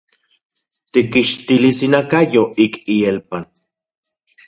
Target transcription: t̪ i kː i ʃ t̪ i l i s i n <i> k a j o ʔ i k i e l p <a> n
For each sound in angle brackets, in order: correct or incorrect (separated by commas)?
incorrect, correct